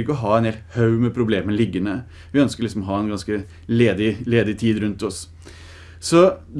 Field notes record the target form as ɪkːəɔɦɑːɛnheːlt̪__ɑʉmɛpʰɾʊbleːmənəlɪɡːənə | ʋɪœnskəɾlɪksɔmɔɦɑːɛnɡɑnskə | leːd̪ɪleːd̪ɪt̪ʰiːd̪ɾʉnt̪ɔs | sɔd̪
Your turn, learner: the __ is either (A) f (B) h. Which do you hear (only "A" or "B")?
B